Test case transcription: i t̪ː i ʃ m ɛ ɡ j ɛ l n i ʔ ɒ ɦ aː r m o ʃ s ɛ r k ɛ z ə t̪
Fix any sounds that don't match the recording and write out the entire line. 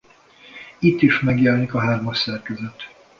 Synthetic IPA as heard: i t̪ː i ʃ m ɛ ɡ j ɛ l n i k ɒ ɦ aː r m ɒ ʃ s ɛ r k ɛ z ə t̪